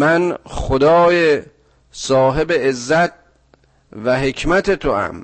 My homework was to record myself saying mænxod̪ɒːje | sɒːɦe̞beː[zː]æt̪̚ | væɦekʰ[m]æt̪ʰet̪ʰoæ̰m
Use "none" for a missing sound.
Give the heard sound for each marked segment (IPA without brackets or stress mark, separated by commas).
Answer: zː, m